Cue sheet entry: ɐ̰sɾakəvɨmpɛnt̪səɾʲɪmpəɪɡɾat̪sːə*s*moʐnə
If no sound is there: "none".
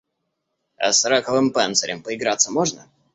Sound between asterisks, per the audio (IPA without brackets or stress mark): none